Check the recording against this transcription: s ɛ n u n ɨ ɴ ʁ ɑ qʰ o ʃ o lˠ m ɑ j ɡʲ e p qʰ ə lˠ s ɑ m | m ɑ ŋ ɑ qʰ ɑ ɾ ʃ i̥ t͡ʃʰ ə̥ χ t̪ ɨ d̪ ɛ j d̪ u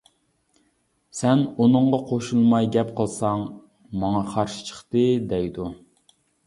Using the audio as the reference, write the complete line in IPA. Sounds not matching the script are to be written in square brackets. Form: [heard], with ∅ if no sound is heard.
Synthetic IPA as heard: s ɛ n u n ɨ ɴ ʁ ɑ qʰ o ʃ [u] lˠ m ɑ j ɡʲ [ɛ] p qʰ ə lˠ s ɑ [ŋ] | m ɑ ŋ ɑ qʰ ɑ ɾ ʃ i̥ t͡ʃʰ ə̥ χ t̪ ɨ d̪ ɛ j d̪ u